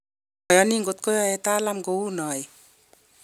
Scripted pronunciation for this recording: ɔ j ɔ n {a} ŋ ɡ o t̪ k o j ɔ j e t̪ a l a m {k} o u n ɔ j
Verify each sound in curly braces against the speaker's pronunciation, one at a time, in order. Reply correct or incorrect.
incorrect, incorrect

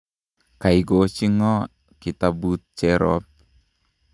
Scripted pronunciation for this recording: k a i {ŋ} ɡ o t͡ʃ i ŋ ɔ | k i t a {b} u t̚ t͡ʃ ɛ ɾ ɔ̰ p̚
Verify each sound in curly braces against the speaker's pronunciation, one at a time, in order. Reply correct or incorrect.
incorrect, correct

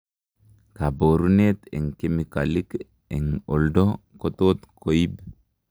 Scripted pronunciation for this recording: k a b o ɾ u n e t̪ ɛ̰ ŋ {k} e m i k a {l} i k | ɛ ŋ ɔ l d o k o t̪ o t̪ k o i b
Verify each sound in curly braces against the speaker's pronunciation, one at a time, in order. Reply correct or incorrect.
correct, correct

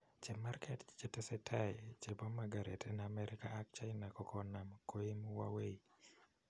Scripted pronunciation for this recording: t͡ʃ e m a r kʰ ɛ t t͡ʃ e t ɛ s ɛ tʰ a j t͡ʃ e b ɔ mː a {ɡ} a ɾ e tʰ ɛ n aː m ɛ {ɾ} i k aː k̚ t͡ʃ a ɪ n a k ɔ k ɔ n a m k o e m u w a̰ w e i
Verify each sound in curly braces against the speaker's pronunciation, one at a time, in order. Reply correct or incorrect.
correct, correct

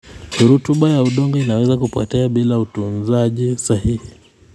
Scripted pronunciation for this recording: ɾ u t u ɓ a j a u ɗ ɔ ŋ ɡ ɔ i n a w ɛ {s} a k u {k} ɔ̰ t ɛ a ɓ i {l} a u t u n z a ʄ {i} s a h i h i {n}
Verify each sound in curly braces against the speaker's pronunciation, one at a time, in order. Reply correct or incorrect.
incorrect, incorrect, correct, correct, incorrect

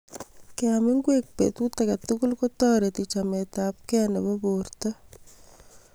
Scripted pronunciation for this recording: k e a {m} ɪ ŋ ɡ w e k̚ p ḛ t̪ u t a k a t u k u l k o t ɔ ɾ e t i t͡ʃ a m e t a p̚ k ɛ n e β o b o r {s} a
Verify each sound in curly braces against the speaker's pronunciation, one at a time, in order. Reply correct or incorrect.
correct, incorrect

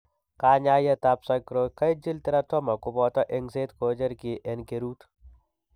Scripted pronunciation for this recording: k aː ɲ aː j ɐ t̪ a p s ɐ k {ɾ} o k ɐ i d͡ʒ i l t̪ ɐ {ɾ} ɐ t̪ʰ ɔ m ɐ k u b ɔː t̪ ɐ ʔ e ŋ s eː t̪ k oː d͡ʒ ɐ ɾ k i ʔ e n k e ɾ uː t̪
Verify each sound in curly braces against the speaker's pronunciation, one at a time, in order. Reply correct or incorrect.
correct, correct

